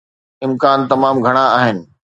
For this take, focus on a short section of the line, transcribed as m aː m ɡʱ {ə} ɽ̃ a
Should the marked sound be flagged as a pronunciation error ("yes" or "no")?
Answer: yes